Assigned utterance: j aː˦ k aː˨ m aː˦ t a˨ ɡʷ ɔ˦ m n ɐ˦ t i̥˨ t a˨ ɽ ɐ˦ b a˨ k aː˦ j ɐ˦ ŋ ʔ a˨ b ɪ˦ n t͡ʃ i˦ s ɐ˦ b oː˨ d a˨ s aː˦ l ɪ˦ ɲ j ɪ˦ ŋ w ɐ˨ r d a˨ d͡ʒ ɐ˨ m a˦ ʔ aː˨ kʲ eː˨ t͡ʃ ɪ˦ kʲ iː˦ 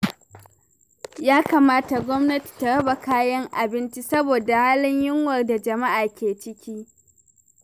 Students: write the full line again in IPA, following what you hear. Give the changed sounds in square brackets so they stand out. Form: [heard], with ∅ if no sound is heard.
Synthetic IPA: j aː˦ k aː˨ m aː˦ t a˨ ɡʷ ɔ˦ m n ɐ˦ t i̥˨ t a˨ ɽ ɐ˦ b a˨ k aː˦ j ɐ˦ ŋ ʔ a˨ b ɪ˦ n t͡ʃ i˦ s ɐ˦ b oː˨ d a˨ [h] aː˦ l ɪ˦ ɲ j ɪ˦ ŋ w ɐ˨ r d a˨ d͡ʒ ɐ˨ m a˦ ʔ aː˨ kʲ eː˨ t͡ʃ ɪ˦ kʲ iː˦